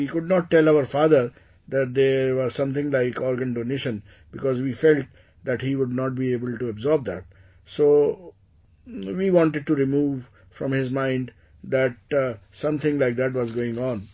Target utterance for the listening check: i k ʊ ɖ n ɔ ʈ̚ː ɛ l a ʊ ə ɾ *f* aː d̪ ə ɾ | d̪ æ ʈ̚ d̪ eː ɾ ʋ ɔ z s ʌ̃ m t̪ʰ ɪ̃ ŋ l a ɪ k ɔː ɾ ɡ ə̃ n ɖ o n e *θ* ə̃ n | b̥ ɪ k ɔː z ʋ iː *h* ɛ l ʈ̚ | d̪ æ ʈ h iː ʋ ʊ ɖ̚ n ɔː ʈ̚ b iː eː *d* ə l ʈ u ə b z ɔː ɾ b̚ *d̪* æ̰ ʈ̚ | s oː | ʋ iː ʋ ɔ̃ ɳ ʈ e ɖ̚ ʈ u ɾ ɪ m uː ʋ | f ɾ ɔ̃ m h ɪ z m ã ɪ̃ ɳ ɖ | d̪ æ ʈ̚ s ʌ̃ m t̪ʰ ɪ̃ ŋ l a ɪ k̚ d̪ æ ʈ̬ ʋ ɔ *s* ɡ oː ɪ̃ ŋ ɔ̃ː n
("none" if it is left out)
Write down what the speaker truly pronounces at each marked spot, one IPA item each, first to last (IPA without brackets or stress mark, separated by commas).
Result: f, ʃ, f, b, d̪, z